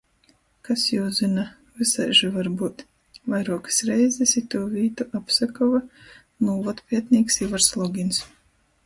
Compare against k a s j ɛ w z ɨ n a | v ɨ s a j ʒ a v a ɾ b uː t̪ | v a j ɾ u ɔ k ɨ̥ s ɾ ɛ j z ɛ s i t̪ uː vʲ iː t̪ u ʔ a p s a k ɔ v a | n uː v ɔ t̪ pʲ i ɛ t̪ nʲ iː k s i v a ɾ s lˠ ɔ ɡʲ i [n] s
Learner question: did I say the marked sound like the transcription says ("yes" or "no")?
yes